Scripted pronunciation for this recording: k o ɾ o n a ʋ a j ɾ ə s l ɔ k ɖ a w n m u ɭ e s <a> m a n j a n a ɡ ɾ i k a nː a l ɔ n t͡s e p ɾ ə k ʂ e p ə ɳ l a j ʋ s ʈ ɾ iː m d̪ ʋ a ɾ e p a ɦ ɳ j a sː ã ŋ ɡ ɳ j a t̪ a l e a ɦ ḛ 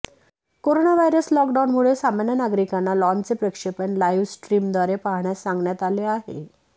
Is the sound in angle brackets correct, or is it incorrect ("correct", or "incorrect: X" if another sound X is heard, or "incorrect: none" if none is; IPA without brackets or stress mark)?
correct